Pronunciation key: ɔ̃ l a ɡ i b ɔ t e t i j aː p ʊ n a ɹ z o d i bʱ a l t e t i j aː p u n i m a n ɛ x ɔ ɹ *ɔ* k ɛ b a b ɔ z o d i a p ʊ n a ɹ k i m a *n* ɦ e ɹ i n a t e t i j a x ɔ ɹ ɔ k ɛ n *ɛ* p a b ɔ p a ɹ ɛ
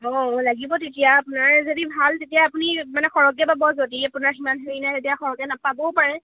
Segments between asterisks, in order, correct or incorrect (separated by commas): correct, correct, incorrect